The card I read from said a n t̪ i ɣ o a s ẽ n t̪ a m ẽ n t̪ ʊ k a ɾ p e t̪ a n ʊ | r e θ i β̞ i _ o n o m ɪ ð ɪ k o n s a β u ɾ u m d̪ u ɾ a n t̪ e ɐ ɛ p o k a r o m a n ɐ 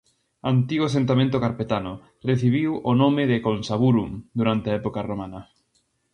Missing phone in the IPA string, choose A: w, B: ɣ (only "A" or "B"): A